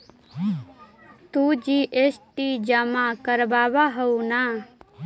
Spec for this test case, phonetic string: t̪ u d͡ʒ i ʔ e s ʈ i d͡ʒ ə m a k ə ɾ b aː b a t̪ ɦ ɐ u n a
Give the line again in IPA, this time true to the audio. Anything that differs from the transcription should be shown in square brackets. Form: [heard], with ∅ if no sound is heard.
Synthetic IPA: t̪ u d͡ʒ i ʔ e s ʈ i d͡ʒ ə m a k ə ɾ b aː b a [∅] ɦ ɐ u n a